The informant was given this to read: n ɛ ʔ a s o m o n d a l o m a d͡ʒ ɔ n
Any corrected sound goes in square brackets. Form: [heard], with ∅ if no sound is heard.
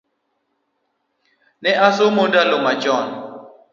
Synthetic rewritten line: n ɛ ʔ a s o m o n d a l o m a d͡ʒ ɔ n